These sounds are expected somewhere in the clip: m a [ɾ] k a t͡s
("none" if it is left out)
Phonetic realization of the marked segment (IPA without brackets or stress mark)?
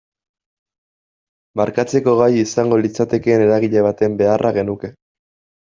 ɾ